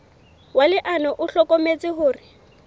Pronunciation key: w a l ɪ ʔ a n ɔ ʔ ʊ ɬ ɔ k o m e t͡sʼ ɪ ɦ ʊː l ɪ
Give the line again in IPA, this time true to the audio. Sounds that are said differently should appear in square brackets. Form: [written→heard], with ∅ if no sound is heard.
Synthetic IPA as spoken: w a l ɪ ʔ a n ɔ ʔ ʊ ɬ ɔ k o m e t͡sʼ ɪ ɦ ʊː [l→r] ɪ

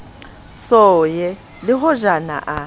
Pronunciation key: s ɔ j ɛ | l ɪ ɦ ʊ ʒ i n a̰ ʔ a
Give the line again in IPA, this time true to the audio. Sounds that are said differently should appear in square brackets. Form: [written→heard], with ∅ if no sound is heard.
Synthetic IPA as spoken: s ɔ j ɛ | l ɪ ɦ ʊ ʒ [i→a] n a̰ ʔ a

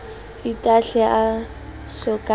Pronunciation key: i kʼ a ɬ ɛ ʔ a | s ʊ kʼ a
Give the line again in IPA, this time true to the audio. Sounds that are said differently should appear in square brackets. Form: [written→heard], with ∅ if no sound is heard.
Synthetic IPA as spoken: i [kʼ→tʼ] a ɬ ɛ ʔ a | s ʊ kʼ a

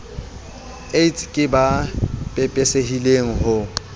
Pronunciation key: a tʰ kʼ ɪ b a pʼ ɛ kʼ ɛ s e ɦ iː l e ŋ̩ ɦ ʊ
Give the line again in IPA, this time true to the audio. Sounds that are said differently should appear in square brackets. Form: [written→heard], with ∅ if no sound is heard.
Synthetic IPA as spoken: [a→e] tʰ kʼ ɪ b a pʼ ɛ [kʼ→pʼ] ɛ s e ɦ [iː→i] l e ŋ̩ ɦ ʊ

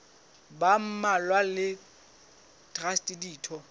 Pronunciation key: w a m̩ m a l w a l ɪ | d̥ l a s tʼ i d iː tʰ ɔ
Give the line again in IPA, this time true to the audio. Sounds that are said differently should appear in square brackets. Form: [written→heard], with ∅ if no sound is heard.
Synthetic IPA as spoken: [w→b] a m̩ m a l w a l ɪ | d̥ [l→r] a s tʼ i d iː tʰ ɔ

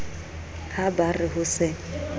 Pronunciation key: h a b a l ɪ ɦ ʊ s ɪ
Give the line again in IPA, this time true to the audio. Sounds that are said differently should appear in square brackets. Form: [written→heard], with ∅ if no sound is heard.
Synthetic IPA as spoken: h a b a [l→r] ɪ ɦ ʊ s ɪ

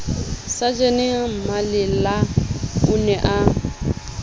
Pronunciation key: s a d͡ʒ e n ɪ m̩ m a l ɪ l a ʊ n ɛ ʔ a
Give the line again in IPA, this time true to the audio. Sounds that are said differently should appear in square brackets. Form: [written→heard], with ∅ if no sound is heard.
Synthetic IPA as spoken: s a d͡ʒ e n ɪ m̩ m a l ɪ l a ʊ n ɛ ʔ a

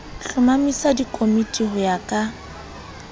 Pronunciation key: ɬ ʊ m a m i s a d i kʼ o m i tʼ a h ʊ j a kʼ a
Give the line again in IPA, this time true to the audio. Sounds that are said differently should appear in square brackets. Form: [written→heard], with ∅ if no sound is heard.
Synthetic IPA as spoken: ɬ ʊ m a m i s a d i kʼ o m i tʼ [a→i] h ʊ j a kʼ a

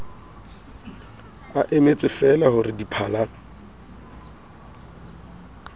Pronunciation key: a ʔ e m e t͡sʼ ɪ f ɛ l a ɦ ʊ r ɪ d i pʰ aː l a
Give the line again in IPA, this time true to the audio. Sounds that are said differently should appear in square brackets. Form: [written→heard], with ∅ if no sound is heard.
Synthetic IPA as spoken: a ʔ e m e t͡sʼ ɪ f ɛ l a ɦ ʊ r ɪ d i pʰ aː l a

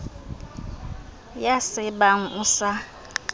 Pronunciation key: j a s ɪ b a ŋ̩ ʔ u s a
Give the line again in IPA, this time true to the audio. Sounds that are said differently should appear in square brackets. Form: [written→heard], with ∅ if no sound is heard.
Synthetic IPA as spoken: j a s ɪ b a ŋ̩ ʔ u s a

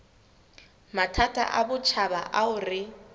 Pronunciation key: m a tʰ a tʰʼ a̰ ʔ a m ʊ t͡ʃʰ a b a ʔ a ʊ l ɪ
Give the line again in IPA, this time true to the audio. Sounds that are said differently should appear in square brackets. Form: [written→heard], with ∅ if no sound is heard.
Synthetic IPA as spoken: m a tʰ a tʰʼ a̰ ʔ a [m→b] ʊ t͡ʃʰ a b a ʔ a ʊ [l→r] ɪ

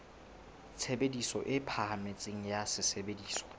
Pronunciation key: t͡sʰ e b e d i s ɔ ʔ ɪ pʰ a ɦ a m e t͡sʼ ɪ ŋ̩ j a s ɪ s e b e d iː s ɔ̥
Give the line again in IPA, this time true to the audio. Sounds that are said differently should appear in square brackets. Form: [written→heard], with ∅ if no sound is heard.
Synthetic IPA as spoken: t͡sʰ e b e d i s ɔ ʔ ɪ pʰ a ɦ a m e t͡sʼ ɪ ŋ̩ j a s ɪ s e b e d iː s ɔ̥

